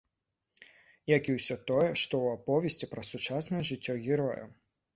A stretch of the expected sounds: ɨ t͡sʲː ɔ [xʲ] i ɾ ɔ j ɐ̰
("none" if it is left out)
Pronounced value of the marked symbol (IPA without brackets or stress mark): ɣʲ